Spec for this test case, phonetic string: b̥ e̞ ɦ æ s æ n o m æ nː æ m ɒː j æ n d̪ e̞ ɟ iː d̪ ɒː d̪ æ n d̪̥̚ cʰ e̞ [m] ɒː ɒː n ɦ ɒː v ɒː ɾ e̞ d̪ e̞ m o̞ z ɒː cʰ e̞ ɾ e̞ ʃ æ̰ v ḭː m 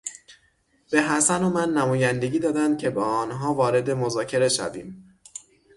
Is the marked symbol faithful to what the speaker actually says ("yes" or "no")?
no